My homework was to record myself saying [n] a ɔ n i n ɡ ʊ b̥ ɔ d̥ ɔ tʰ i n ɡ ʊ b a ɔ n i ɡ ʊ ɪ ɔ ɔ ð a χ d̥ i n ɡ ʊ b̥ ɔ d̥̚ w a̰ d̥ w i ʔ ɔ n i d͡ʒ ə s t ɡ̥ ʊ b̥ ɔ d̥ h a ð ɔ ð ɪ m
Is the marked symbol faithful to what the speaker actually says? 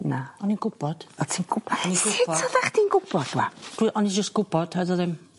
yes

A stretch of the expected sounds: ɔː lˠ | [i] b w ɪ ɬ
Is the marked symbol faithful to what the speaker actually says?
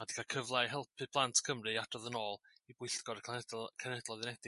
yes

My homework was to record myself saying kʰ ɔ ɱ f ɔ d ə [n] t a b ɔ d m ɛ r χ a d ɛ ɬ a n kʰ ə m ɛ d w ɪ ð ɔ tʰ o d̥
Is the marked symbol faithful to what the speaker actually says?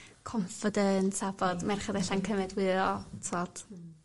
yes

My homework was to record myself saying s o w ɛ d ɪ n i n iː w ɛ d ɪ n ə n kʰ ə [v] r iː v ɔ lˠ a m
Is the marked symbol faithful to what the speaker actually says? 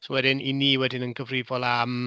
yes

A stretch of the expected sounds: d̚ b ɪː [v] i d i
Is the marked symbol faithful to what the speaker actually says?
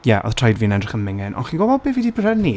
yes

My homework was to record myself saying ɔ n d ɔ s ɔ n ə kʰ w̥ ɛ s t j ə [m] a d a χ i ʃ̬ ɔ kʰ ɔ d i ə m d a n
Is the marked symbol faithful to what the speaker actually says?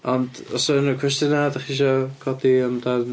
no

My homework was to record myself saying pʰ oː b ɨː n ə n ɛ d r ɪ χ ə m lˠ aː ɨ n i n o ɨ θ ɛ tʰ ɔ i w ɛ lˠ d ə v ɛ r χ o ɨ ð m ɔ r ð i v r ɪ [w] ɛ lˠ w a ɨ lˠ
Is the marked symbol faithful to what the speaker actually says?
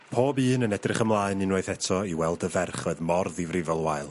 no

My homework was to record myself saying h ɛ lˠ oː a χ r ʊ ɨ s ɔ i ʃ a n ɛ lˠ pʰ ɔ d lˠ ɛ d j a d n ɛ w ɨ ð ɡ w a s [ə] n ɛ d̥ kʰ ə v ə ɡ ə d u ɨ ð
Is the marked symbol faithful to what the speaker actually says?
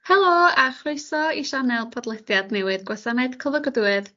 no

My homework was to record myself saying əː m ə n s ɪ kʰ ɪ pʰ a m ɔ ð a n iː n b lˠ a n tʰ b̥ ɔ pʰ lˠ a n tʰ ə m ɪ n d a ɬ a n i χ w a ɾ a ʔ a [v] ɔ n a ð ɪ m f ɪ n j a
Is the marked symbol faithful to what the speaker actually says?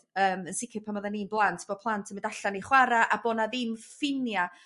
no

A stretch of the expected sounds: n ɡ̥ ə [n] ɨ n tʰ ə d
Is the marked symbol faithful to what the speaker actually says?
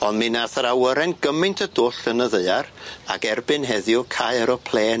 no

